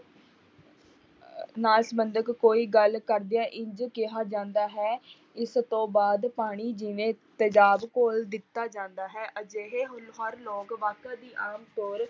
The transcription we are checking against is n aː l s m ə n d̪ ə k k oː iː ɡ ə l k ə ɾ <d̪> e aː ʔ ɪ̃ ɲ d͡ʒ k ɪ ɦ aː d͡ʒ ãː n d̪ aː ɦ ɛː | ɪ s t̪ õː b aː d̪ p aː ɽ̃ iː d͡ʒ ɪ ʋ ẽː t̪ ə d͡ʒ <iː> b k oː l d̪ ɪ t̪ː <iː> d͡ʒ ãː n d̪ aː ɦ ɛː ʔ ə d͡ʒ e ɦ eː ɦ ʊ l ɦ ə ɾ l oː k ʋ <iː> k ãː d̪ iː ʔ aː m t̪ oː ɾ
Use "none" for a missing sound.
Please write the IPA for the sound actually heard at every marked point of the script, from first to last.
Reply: d̪, aː, aː, aː

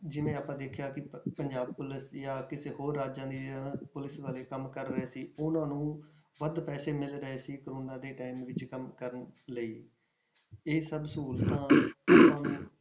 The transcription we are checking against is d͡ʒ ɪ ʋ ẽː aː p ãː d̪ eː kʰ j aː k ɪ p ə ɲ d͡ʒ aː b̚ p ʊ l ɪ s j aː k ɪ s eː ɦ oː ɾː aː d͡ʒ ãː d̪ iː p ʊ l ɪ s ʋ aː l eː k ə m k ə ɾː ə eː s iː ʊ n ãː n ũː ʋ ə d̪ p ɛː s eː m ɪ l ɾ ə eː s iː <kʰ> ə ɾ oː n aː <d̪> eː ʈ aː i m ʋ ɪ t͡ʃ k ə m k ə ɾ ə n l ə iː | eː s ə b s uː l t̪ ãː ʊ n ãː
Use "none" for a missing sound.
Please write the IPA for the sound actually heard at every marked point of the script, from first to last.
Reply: k, d̪

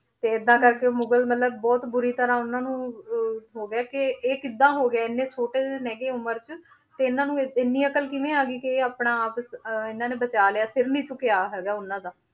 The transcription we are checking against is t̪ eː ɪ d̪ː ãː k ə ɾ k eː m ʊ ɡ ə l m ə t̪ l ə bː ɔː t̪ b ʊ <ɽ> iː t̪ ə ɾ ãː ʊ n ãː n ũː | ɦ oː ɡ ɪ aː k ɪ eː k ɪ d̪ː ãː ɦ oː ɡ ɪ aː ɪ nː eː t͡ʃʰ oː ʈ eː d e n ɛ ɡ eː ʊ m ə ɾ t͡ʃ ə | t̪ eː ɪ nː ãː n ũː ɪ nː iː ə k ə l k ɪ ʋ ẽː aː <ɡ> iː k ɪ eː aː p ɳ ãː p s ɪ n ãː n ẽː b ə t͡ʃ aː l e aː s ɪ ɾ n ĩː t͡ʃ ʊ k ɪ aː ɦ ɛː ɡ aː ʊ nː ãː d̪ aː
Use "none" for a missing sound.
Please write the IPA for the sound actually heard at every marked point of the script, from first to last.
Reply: ɾ, ɡ

